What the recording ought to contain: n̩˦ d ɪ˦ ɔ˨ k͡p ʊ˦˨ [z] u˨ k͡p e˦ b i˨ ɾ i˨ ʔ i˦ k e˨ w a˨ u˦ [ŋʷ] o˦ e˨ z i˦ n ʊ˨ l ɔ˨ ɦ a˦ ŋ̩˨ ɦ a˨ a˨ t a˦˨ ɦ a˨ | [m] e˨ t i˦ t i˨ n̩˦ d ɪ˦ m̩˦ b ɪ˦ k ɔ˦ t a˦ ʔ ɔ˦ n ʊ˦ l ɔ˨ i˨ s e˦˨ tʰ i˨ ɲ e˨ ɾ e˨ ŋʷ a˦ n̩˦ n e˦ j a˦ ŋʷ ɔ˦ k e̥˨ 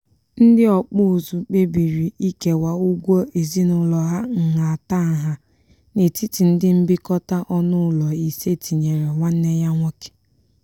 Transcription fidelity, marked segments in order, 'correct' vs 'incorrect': correct, incorrect: ɡʷ, incorrect: n

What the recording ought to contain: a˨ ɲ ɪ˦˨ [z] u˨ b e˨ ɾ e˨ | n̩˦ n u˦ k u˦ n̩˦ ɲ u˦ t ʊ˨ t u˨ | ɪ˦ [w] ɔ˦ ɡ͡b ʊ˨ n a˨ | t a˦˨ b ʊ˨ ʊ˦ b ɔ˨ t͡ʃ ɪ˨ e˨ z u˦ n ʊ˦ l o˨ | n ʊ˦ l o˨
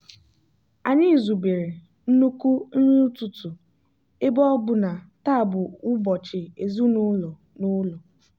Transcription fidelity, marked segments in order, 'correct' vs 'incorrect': correct, incorrect: b

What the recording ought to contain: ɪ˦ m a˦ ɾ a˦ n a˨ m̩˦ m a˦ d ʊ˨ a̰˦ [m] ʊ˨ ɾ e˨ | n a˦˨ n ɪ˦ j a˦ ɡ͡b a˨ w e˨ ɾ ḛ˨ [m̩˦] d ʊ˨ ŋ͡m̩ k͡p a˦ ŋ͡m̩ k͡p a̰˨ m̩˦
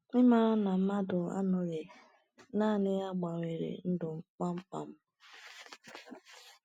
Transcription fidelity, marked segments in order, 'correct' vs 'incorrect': incorrect: n, incorrect: n̩˦

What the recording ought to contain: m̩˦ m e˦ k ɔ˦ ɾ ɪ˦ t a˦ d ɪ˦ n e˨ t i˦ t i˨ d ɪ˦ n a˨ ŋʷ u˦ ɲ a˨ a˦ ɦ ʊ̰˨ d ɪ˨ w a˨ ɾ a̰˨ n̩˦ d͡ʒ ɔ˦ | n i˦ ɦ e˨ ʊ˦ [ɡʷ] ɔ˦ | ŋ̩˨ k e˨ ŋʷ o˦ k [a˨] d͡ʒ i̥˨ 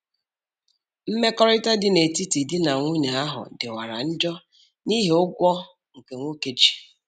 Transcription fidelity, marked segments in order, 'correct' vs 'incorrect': correct, incorrect: e˨

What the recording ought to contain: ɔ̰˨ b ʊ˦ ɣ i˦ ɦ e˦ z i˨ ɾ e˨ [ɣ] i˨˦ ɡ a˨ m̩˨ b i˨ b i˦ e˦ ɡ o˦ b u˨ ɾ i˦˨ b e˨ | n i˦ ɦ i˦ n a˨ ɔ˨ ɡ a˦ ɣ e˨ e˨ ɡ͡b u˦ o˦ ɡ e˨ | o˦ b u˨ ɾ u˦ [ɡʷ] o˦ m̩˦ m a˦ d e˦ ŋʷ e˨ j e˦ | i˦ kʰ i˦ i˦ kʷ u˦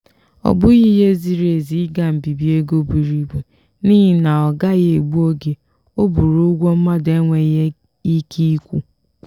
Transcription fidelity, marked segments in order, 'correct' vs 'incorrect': incorrect: z, correct

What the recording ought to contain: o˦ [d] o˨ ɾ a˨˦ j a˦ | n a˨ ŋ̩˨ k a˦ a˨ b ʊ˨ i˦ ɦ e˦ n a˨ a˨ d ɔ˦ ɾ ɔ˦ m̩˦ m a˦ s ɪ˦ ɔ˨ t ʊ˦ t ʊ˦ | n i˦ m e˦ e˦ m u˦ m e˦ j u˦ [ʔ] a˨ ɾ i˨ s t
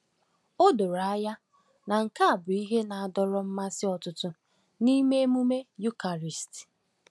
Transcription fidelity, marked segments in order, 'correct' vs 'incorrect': correct, incorrect: k

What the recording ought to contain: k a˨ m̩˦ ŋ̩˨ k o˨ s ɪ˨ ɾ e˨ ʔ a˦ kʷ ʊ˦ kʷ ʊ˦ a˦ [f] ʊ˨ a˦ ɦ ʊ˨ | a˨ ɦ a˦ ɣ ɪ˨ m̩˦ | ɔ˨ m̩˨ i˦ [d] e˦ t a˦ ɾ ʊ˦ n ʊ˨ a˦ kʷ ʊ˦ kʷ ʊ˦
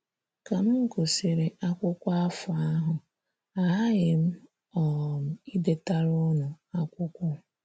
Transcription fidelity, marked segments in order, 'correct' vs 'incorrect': correct, correct

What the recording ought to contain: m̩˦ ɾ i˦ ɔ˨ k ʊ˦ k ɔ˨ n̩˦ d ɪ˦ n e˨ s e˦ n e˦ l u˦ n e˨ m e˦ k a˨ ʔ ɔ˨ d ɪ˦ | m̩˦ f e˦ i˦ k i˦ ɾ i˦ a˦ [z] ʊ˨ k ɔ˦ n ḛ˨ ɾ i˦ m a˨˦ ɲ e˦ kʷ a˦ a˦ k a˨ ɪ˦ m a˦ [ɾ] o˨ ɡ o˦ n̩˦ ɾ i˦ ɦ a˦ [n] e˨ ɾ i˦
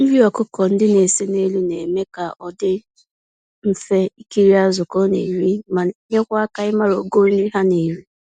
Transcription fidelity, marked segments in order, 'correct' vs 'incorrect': correct, correct, correct

